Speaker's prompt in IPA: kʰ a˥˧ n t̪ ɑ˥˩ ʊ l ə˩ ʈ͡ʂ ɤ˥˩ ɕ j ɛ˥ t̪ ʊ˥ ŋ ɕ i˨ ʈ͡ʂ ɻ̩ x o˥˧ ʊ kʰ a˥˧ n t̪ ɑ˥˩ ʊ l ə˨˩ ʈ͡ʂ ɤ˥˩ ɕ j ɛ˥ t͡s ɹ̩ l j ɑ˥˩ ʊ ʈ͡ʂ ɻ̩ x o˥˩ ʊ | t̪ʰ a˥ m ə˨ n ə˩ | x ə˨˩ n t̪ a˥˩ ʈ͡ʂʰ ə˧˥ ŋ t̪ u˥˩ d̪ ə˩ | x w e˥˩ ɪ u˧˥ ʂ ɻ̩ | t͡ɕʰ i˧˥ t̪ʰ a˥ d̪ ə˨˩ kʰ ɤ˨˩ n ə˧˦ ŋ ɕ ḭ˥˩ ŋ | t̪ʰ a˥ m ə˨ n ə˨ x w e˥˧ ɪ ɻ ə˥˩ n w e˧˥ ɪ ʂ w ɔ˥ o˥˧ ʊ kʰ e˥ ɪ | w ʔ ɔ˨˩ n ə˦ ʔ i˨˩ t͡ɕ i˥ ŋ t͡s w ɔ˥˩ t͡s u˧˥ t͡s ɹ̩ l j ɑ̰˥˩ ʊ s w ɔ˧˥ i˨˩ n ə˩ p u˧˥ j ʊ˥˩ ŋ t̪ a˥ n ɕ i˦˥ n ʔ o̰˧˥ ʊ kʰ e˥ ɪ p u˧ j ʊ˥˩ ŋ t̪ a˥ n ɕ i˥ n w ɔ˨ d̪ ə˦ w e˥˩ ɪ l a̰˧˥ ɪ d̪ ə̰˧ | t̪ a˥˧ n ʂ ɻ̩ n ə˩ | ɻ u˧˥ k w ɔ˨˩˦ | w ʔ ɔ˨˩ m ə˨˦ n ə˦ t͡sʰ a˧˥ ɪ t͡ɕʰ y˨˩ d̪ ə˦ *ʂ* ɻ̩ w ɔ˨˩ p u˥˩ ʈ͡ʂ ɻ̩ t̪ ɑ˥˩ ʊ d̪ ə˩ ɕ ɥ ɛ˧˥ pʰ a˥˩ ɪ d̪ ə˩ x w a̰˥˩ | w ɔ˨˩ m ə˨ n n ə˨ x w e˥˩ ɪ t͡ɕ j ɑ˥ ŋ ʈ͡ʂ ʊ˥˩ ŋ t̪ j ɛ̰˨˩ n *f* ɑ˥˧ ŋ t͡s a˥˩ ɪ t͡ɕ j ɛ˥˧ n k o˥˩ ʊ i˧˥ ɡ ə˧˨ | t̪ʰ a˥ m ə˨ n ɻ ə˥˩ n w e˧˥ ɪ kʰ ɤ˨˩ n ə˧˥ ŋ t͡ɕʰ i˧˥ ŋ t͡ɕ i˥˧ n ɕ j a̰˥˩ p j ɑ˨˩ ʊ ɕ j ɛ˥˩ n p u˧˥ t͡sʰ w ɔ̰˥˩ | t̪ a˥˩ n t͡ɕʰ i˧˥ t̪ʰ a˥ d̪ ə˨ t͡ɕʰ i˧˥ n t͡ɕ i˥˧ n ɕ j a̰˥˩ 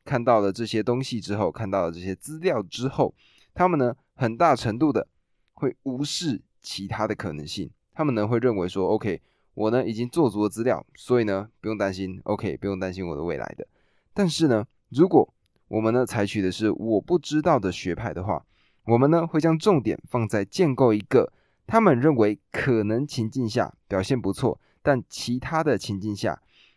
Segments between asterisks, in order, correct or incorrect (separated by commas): correct, correct